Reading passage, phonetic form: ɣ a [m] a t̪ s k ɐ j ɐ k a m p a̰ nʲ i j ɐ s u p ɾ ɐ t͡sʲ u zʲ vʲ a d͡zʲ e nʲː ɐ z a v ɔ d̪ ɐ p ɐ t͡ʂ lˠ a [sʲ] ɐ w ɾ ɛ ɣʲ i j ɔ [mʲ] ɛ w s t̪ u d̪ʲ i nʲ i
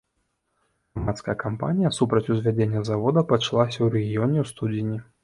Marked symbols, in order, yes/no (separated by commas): yes, yes, no